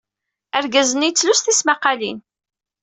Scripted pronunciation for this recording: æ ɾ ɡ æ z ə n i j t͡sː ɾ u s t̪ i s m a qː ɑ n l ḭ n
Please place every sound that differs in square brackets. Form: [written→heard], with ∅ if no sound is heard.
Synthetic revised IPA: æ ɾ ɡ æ z ə n i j t͡sː [ɾ→l] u s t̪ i s m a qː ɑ [n→∅] l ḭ n